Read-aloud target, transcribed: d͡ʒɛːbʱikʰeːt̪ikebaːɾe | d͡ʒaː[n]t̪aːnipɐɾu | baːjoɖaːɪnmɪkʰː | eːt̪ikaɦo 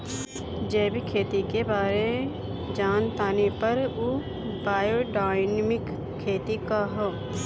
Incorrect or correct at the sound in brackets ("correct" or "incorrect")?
correct